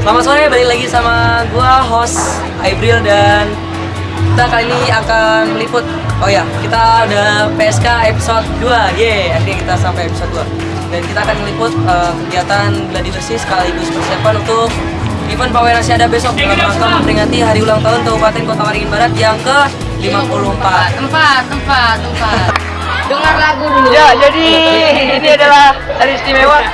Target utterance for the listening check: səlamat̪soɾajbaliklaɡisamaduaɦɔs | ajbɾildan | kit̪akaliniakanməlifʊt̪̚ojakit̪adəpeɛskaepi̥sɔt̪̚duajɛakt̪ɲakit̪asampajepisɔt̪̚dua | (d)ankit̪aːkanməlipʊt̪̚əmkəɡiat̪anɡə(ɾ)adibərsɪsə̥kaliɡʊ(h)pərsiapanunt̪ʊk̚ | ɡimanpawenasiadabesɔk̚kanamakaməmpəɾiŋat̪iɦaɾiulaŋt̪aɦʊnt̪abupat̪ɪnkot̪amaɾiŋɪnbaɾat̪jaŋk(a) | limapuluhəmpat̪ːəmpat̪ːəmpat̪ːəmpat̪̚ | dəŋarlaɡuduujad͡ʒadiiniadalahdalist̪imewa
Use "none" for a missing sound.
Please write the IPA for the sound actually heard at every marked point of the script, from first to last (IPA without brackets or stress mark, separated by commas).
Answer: d, l, s, ə